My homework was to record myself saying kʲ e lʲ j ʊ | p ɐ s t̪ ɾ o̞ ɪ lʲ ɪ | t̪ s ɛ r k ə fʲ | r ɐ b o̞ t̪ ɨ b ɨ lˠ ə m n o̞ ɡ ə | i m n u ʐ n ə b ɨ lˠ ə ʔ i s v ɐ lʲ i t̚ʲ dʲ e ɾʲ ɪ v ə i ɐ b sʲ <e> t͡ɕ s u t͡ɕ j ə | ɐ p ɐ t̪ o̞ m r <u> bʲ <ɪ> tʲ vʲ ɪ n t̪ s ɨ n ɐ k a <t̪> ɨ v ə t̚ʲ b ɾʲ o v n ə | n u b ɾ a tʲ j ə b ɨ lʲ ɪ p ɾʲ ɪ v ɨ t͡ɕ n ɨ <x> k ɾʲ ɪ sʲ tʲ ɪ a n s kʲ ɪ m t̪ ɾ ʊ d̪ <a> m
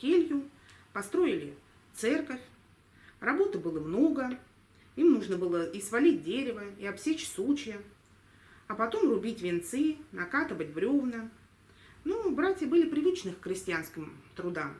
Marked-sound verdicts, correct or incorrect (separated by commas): correct, incorrect, incorrect, correct, correct, correct